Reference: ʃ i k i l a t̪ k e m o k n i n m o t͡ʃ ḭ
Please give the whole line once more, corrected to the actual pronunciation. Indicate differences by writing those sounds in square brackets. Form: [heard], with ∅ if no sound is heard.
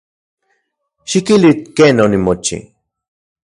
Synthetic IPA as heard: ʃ i k i l [i] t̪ k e [n] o [∅] n i [∅] m o t͡ʃ ḭ

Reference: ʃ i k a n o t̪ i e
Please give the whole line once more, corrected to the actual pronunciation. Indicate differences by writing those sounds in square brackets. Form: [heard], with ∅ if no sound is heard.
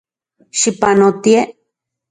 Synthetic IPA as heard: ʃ i [p] a n o t̪ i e

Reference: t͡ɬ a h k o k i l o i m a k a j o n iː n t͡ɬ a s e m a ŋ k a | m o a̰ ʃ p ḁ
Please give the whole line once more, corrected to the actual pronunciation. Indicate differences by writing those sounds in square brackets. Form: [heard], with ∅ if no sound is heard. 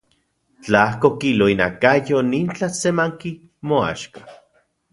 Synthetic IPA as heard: t͡ɬ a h k o k i l o i [n] a k a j o n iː n t͡ɬ a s e m a ŋ k [i] | m o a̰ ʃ [k] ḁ

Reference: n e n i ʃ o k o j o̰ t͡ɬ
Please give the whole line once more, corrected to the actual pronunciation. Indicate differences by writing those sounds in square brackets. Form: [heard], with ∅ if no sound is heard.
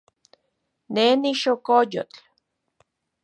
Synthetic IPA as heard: n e n i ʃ o k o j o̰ t͡ɬ

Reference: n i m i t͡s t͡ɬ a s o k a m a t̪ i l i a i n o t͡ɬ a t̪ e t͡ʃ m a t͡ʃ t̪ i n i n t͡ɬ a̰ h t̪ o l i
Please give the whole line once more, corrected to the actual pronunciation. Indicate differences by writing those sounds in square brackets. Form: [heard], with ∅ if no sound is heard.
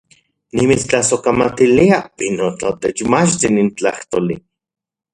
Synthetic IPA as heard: n i m i t͡s t͡ɬ a s o k a m a t̪ i l i a i n o t͡ɬ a t̪ e t͡ʃ m a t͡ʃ t̪ i n i n t͡ɬ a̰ h t̪ o l i

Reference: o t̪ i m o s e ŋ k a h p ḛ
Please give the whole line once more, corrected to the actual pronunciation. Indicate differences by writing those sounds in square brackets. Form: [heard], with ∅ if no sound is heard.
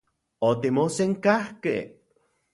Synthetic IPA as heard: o t̪ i m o s e ŋ k a h [k] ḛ

